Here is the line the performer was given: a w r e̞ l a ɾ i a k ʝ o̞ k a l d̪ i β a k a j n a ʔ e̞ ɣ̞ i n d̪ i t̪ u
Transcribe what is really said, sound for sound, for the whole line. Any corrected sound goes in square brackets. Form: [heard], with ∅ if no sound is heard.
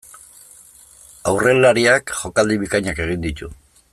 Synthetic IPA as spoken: a w r e̞ l a ɾ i a k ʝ o̞ k a l d̪ i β [i] k a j [ɲ] a [k] e̞ ɣ̞ i n d̪ i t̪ u